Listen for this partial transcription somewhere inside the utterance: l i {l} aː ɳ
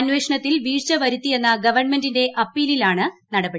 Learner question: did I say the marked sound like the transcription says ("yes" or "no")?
yes